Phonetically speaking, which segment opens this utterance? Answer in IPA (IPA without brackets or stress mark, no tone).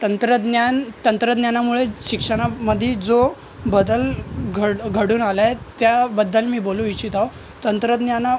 t̪